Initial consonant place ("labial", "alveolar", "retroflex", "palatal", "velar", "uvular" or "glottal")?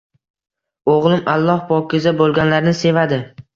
uvular